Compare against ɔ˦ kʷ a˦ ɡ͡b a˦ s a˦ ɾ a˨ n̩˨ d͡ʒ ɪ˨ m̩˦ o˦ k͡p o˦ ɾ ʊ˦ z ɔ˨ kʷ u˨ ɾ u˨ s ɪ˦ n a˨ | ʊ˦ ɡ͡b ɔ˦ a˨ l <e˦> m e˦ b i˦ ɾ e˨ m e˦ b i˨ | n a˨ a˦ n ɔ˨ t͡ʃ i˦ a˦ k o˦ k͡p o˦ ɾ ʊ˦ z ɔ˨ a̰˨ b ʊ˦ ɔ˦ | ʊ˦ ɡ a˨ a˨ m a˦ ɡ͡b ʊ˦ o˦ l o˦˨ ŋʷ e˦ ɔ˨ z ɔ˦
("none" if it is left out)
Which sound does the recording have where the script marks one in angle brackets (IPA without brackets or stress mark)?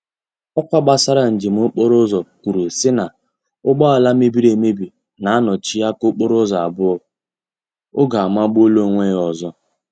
a˦